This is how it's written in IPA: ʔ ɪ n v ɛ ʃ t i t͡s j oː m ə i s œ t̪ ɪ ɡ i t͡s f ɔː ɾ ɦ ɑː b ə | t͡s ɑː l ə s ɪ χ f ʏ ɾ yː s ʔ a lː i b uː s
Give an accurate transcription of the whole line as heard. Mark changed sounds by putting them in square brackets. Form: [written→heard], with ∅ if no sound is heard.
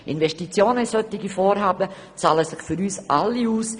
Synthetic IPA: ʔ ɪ n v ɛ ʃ t i t͡s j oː [m→n] ə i s œ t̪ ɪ ɡ i [t͡s→∅] f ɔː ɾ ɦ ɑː b ə | t͡s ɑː l ə s ɪ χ f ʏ ɾ yː s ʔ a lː i [b→∅] uː s